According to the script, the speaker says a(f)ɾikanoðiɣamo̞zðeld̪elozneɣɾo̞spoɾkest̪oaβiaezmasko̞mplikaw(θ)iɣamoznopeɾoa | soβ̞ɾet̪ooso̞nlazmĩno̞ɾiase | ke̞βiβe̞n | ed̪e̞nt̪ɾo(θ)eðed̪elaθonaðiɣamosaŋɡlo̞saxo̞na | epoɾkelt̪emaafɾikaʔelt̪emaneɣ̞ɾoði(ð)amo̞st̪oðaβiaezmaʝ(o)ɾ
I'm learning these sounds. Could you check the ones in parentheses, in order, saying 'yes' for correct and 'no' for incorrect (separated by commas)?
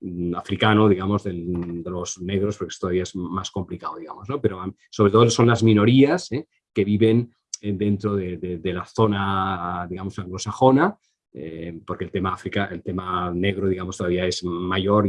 yes, no, no, no, yes